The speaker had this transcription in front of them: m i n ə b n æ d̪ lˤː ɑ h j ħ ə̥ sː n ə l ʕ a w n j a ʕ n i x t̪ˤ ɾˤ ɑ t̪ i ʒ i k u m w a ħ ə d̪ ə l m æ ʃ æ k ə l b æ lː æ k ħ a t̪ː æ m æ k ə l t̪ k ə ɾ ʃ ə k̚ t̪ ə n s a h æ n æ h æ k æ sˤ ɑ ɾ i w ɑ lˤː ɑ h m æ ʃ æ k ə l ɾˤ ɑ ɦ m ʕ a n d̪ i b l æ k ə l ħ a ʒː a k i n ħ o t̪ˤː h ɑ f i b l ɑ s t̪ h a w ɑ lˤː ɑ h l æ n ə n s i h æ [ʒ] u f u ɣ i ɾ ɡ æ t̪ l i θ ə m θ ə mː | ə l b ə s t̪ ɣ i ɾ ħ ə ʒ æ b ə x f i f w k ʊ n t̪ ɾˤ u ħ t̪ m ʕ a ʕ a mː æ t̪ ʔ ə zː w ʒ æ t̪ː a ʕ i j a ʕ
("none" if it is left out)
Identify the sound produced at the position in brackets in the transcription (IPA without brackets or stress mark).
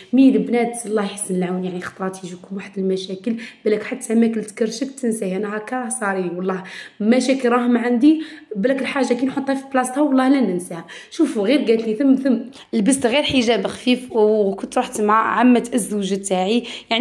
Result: ʃ